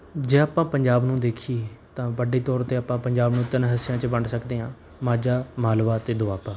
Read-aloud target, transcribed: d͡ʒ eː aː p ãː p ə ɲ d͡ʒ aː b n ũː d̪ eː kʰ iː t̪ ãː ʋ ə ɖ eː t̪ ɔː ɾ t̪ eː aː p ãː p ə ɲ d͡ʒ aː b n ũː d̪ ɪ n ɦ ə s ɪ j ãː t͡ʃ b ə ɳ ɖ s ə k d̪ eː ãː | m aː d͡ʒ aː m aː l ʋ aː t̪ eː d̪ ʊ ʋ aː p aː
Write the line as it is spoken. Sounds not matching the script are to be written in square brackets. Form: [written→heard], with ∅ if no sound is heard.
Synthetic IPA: d͡ʒ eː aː p ãː p ə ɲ d͡ʒ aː b n ũː d̪ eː kʰ iː t̪ ãː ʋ ə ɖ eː t̪ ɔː ɾ t̪ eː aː p ãː p ə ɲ d͡ʒ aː b n ũː [d̪→t̪] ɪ n ɦ ə s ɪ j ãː t͡ʃ b ə ɳ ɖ s ə k d̪ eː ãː | m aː d͡ʒ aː m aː l ʋ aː t̪ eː d̪ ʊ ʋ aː p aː